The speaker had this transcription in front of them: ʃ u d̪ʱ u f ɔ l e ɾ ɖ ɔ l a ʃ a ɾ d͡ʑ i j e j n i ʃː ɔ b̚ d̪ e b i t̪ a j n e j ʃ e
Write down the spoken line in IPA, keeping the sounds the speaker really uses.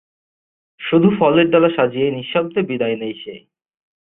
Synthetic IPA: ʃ u d̪ʱ u f ɔ l e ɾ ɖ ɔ l a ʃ a d͡ʑ i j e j n i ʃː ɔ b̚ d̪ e b i d̪ a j n e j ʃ e